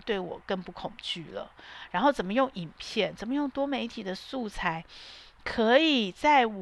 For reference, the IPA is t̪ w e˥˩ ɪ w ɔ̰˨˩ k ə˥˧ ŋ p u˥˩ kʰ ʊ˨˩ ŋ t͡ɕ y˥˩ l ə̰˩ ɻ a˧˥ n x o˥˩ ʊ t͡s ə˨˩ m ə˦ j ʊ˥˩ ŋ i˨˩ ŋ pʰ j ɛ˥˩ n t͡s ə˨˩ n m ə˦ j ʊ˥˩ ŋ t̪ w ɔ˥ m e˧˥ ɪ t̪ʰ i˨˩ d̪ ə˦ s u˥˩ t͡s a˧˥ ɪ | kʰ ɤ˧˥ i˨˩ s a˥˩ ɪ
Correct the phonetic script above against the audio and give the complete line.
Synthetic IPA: t̪ w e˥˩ ɪ w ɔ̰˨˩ k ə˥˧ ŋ p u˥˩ kʰ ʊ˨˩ ŋ t͡ɕ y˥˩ l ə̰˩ ɻ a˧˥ n x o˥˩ ʊ t͡s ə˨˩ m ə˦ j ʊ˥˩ ŋ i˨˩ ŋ pʰ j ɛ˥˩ n t͡s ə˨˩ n m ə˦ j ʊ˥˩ ŋ t̪ w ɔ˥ m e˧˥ ɪ t̪ʰ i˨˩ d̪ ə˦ s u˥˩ t͡sʰ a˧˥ ɪ | kʰ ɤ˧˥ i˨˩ t͡s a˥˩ ɪ